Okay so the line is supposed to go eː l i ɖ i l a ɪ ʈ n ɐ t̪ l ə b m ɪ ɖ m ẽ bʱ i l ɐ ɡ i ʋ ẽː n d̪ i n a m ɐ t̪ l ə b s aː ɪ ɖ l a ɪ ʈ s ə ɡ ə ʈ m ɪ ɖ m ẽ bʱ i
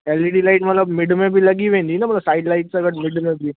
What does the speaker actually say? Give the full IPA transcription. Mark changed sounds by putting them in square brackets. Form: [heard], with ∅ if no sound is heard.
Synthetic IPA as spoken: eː l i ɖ i l a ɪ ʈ [m] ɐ t̪ l ə b m ɪ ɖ m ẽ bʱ i l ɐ ɡ i ʋ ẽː n d̪ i n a m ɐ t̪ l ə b s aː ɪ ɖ l a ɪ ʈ s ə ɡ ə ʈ m ɪ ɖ m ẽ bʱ i